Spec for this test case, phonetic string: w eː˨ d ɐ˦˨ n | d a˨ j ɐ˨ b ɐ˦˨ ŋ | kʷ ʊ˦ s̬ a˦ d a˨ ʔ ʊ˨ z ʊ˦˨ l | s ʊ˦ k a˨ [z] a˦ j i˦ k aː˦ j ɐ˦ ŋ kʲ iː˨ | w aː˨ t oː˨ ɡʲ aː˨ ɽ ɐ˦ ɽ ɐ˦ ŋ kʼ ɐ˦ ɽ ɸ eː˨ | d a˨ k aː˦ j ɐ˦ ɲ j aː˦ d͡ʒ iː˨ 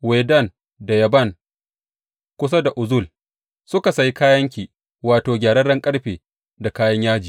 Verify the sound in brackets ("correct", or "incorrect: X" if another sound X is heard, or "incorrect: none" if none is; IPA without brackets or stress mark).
incorrect: s